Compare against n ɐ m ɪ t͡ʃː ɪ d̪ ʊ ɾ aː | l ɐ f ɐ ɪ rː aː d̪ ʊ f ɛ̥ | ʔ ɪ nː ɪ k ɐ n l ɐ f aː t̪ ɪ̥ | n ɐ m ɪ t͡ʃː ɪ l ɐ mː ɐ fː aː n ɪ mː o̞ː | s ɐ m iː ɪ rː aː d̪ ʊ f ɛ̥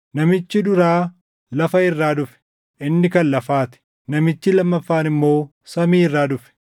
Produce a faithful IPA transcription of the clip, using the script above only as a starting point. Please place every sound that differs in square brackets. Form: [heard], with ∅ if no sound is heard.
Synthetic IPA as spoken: n ɐ m ɪ t͡ʃː ɪ d̪ ʊ ɾ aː | l ɐ f ɐ ɪ rː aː d̪ ʊ f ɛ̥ | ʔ ɪ nː ɪ k ɐ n l ɐ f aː t̪ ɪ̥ | n ɐ m ɪ t͡ʃː ɪ l ɐ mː ɐ fː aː n ɪ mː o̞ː | s ɐ m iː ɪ rː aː d̪ ʊ f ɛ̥